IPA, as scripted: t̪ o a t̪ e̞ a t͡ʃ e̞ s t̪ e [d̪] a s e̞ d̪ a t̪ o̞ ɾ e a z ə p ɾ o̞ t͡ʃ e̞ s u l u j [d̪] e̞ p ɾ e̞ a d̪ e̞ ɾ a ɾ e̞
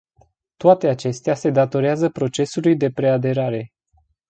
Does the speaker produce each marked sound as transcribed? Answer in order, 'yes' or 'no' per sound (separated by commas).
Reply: no, yes